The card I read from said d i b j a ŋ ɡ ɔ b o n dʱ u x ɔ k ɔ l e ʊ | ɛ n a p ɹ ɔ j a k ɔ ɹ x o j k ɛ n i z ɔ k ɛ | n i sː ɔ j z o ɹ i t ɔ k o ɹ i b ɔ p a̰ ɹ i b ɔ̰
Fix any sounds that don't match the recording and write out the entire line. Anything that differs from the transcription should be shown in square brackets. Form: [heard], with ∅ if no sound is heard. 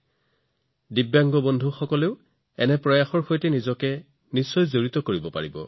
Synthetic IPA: d i b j a ŋ ɡ ɔ b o n dʱ u x ɔ k ɔ l e ʊ | ɛ n [ɛ] p ɹ ɔ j a [x] ɔ ɹ x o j [t] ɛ n i z ɔ k ɛ | n i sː ɔ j z o ɹ i t ɔ k o ɹ i b ɔ p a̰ ɹ i b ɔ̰